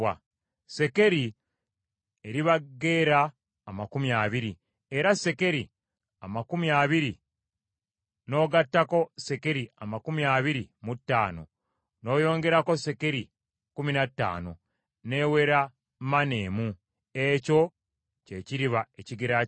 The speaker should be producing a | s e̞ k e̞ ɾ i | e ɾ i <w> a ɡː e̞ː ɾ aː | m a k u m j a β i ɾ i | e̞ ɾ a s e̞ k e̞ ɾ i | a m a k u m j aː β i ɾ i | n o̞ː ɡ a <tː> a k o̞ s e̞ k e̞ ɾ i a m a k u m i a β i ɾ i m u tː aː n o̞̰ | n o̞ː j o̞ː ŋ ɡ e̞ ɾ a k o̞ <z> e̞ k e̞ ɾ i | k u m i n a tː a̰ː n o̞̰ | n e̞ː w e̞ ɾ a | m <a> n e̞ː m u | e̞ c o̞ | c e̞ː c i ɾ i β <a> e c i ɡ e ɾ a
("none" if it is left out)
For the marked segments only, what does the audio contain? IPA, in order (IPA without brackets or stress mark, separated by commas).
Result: β, tː, s, a, a